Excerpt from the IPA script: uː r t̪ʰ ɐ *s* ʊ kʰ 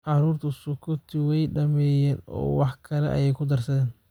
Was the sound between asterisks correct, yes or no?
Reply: yes